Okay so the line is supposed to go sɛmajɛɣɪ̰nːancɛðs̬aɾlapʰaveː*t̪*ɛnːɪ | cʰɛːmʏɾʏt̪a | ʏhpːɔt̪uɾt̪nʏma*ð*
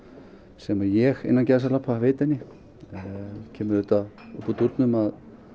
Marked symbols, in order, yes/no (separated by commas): yes, yes